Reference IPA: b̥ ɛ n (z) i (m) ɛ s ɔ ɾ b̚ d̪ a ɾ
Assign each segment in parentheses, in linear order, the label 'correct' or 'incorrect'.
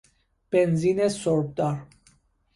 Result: correct, incorrect: n

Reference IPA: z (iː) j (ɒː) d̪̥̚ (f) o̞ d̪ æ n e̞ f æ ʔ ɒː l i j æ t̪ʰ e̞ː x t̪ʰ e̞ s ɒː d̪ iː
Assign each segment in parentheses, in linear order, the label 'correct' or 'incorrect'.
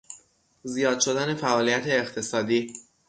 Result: incorrect: i, correct, incorrect: ʃ

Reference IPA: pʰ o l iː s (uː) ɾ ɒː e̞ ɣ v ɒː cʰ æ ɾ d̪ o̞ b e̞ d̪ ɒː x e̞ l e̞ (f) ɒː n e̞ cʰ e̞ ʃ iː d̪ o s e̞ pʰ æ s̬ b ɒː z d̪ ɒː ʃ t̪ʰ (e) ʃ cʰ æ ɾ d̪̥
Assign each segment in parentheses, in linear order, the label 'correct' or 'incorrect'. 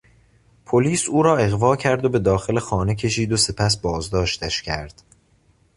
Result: correct, incorrect: x, incorrect: æ

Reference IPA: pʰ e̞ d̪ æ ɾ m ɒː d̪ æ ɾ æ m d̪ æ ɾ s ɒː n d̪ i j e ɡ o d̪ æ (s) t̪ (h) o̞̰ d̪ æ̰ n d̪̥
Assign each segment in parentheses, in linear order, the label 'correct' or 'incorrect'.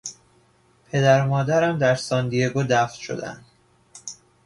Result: incorrect: f, incorrect: ʃ

